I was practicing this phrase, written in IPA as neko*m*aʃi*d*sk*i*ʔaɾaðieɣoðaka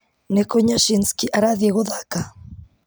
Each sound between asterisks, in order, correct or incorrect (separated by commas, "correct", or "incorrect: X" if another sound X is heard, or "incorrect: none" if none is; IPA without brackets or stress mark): incorrect: ɲ, incorrect: n, correct